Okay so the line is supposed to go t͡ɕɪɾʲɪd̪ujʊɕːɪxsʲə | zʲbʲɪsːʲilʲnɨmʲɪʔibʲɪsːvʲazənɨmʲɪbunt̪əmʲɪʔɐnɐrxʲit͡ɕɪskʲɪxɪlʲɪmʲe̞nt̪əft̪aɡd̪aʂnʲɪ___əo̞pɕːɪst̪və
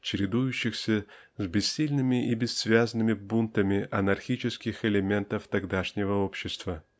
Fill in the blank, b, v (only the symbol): v